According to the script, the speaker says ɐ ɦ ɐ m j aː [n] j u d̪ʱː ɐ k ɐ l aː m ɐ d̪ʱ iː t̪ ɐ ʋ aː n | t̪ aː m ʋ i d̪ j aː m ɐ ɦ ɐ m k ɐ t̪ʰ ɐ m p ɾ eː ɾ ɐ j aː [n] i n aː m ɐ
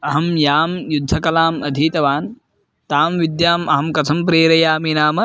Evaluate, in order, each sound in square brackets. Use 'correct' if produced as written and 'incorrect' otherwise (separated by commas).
incorrect, incorrect